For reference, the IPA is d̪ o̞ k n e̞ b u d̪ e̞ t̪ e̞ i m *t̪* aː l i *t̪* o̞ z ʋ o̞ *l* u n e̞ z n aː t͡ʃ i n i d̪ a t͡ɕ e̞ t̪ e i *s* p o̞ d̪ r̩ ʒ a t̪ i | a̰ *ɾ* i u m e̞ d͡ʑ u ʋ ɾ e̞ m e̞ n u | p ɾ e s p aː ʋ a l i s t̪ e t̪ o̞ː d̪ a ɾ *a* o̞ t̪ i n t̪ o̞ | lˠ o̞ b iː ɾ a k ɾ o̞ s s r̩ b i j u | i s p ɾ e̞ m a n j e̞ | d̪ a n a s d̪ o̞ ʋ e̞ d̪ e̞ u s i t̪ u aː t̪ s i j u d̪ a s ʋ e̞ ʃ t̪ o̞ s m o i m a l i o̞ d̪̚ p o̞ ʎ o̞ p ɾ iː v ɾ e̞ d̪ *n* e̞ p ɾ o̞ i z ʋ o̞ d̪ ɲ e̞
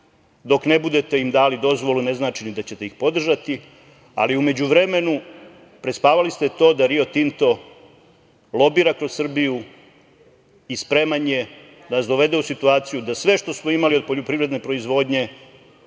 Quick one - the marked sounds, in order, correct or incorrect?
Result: incorrect: d̪, incorrect: d̪, correct, incorrect: x, incorrect: l, incorrect: i, correct

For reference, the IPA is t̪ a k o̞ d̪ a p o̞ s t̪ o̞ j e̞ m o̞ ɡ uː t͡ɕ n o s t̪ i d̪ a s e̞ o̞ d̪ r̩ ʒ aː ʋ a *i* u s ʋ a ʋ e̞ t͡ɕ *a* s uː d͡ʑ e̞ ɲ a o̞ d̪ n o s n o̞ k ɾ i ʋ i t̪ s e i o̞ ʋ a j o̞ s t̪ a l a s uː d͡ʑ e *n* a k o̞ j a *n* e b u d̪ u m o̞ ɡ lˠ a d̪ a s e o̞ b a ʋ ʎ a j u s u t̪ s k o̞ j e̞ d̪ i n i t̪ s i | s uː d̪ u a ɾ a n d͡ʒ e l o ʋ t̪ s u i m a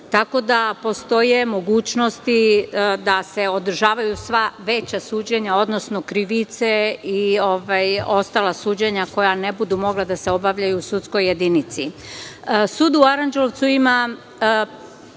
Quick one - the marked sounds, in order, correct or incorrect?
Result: incorrect: j, correct, incorrect: ɲ, correct

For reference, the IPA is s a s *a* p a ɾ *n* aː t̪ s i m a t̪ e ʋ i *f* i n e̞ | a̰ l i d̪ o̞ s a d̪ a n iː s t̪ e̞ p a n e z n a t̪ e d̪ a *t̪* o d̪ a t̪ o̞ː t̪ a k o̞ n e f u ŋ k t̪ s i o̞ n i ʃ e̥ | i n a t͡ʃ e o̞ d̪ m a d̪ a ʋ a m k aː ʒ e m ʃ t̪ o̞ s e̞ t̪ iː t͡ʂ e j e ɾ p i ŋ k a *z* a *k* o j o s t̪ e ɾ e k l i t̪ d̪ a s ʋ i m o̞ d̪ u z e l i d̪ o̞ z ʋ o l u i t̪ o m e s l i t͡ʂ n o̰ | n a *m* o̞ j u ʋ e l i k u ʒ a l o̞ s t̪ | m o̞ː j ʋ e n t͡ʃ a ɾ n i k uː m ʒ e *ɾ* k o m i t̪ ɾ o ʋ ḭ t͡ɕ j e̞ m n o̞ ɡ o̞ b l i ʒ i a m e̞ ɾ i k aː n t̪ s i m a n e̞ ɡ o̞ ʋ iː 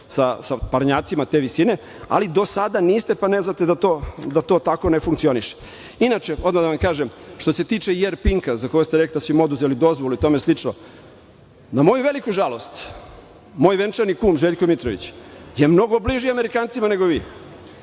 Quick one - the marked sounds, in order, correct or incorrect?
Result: correct, incorrect: ɲ, incorrect: s, correct, correct, correct, correct, incorrect: ʎ

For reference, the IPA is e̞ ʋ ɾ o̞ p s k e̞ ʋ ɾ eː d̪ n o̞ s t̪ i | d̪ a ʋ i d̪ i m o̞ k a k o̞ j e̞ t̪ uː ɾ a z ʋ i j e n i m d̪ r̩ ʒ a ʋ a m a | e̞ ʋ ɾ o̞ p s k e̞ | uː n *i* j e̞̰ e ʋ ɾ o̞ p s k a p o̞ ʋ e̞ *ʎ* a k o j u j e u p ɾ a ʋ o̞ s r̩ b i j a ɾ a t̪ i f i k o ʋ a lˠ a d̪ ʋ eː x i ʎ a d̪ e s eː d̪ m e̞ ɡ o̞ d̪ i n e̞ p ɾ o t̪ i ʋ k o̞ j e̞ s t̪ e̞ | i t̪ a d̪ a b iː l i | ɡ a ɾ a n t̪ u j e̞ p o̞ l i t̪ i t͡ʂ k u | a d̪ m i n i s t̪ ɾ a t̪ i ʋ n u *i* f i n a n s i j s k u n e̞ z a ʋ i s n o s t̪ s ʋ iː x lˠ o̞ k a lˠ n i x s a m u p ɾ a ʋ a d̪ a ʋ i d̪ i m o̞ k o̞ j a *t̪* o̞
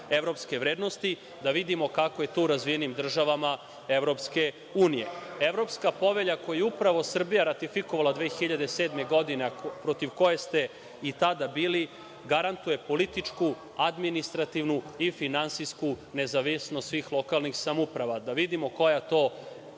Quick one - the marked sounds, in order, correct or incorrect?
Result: correct, correct, correct, correct

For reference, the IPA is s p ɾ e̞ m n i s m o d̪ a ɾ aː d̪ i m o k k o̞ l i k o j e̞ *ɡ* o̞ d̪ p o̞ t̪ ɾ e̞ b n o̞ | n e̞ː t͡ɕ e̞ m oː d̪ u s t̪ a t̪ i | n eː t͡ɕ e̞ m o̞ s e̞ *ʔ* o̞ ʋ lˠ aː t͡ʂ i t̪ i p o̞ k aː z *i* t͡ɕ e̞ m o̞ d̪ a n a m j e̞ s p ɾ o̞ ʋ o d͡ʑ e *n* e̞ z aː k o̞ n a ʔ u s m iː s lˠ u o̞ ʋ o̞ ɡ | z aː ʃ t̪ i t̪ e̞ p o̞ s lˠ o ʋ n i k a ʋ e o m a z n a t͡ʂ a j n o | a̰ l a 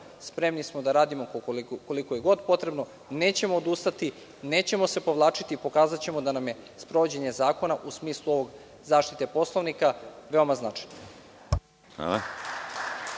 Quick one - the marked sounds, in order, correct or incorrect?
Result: correct, incorrect: p, incorrect: a, incorrect: ɲ

